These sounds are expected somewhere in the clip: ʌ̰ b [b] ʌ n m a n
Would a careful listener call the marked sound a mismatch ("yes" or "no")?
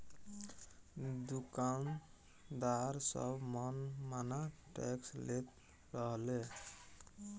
yes